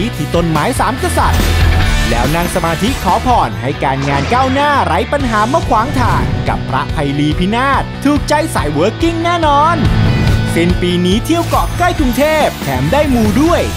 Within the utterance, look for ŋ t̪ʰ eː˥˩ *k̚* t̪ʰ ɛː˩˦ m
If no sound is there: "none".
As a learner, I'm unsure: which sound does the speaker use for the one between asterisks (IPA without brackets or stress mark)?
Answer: p̚